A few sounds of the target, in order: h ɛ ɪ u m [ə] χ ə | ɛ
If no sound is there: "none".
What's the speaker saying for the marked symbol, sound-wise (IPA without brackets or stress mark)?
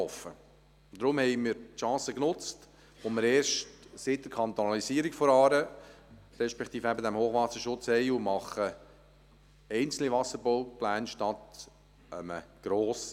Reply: ɑ